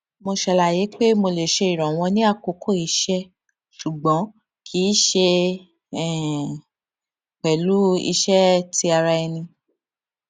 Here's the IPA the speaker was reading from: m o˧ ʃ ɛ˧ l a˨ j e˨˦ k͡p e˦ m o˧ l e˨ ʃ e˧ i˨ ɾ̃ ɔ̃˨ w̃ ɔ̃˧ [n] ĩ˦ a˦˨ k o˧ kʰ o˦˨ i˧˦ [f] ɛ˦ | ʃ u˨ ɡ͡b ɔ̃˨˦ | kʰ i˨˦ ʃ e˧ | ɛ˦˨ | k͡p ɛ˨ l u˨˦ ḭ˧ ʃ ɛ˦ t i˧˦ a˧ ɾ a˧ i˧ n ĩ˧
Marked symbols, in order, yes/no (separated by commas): yes, no